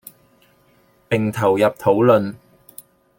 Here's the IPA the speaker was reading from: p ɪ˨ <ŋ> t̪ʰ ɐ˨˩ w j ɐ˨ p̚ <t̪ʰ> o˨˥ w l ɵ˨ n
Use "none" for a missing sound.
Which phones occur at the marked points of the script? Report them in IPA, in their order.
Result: ŋ, t̪ʰ

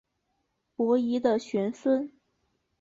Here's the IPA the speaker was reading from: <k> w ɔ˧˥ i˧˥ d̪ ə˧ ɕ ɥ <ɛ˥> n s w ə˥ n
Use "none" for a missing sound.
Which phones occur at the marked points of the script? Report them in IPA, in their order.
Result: p, ɛ˧˥

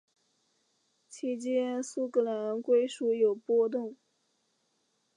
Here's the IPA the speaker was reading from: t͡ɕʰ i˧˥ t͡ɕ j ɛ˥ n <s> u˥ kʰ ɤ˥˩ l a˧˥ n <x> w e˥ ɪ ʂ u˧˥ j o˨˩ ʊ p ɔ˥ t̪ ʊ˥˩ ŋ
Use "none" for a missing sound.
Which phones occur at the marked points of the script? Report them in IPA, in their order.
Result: s, k

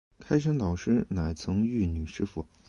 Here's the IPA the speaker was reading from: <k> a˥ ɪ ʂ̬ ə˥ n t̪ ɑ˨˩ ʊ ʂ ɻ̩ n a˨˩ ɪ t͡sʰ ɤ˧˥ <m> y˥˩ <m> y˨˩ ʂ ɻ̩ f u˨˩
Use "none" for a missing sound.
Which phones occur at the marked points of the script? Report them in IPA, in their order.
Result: kʰ, ŋ, n

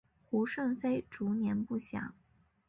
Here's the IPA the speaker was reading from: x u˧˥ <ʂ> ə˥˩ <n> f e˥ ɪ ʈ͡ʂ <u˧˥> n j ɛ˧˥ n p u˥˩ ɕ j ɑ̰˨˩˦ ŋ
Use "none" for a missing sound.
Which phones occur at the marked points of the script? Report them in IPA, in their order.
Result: ʂ, n, u˧˥

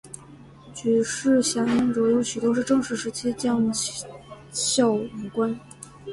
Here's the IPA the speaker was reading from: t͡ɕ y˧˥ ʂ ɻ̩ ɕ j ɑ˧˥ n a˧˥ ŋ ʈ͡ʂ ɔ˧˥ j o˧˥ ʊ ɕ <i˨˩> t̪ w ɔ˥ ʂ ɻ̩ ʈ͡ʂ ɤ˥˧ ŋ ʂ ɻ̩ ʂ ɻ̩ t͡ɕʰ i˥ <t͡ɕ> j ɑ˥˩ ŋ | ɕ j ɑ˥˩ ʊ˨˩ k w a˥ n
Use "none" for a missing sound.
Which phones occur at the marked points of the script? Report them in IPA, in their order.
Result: y˨˩, t͡ɕ

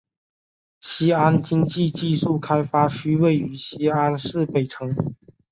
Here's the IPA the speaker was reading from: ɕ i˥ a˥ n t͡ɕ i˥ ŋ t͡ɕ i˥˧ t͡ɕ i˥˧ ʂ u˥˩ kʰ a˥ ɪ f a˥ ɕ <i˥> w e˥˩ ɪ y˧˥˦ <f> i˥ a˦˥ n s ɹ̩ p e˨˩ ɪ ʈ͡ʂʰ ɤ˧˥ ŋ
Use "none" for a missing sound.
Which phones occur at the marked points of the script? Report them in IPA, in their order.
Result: y˥, ɕ

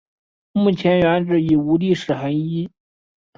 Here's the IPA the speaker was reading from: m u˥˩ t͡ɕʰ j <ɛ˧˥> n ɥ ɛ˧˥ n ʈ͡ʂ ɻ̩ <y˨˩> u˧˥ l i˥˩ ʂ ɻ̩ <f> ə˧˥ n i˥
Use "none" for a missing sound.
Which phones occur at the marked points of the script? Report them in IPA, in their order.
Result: ɛ˧˥, i˨˩, x

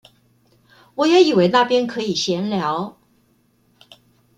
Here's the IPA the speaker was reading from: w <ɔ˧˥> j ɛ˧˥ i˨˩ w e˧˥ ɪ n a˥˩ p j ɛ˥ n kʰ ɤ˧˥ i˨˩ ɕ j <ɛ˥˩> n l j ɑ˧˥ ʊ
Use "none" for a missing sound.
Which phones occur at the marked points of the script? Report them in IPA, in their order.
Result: ɔ˨˩, ɛ˧˥

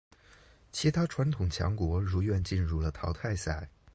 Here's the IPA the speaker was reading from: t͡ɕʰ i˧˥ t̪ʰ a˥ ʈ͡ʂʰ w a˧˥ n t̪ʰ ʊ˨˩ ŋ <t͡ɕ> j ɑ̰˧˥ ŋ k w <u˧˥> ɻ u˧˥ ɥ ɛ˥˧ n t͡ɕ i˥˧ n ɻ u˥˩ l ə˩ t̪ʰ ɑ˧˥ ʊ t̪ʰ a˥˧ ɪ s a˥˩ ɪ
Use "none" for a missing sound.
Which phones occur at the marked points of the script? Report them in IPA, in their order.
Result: t͡ɕʰ, ɔ˧˥

